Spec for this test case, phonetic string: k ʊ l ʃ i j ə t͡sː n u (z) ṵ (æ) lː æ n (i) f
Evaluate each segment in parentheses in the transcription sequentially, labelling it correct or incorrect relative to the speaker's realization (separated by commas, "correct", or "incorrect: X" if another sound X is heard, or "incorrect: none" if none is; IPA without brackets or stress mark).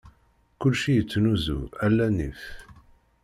correct, correct, correct